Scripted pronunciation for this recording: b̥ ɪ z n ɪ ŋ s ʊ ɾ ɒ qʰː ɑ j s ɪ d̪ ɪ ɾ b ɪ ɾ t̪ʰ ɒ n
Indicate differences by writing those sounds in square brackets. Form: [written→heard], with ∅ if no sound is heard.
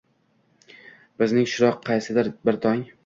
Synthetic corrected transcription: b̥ ɪ z n ɪ ŋ [s→ʃ] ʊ ɾ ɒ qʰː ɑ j s ɪ d̪ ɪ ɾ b ɪ ɾ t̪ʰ ɒ [n→ŋ]